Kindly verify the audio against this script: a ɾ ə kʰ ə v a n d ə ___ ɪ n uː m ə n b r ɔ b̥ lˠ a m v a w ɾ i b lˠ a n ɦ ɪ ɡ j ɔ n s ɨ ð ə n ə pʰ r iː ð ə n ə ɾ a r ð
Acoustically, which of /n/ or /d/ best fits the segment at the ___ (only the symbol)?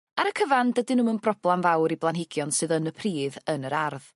d